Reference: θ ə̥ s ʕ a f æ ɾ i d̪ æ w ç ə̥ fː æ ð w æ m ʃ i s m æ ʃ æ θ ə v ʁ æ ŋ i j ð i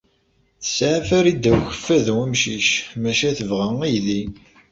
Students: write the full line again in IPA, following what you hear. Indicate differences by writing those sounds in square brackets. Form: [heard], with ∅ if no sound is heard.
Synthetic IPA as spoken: θ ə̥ s ʕ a f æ ɾ i d̪ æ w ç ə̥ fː æ ð w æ m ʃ i [ʃ] m æ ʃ æ θ ə v ʁ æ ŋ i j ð i

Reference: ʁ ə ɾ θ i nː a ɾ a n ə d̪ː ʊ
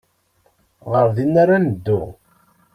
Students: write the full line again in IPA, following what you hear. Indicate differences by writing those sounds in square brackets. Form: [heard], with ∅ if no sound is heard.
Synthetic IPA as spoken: ʁ ə ɾ [ð] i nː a ɾ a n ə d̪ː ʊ

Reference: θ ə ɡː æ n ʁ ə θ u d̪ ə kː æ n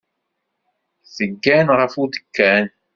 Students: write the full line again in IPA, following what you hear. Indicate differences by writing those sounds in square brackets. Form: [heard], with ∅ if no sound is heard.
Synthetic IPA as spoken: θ ə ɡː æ n ʁ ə [f] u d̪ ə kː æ n

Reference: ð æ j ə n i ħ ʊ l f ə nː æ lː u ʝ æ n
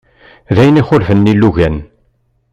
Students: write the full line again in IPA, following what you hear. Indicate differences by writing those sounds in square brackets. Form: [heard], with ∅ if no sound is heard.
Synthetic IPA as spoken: ð æ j ə n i [χ] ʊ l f ə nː [i] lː u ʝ æ n

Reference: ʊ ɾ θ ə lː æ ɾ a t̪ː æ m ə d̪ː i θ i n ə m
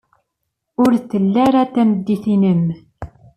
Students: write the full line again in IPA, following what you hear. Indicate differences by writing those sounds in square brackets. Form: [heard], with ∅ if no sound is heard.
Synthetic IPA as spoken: ʊ ɾ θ ə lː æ ɾ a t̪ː æ m ə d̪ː i θ i n ə m

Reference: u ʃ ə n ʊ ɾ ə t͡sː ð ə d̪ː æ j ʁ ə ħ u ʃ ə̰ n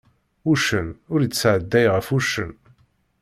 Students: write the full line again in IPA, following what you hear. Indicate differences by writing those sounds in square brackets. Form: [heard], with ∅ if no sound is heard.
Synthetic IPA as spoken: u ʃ ə n ʊ ɾ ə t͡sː [ʕ] ə d̪ː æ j ʁ ə [f] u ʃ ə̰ n

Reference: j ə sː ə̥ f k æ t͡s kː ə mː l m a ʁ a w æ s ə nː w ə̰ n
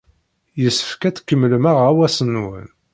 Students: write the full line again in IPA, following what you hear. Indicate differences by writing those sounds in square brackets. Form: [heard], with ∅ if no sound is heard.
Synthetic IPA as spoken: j ə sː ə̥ f k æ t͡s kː ə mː l m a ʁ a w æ s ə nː w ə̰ n

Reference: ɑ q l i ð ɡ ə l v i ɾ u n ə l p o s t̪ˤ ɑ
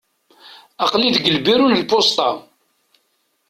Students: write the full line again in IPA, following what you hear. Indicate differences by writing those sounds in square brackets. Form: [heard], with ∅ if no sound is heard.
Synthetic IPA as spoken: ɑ q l i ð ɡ ə l [b] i ɾ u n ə l p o s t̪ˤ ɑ

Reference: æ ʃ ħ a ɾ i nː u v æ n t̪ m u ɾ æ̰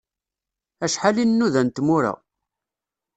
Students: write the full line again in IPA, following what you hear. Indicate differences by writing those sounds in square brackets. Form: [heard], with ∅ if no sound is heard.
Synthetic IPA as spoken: æ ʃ ħ a [l] i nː u [ð] æ n t̪ m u ɾ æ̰

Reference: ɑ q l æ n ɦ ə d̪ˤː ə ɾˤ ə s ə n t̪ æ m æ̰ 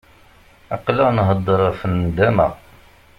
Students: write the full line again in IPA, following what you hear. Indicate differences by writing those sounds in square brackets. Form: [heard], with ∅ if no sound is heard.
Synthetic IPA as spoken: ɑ q l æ n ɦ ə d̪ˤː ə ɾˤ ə [f] ə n [d̪] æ m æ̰

